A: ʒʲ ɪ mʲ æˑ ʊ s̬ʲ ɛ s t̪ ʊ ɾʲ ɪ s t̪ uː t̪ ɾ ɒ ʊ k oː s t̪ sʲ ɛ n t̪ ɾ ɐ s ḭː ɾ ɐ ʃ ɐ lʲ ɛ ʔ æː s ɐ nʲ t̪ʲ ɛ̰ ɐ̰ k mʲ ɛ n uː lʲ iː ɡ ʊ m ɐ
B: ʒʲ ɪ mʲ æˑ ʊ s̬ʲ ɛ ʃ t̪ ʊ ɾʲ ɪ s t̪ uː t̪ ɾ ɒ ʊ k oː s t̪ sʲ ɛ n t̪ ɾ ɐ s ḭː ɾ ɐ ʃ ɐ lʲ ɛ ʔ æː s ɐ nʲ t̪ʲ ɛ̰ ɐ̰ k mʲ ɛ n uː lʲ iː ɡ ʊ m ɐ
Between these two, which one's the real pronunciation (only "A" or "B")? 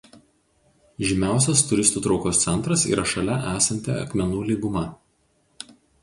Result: A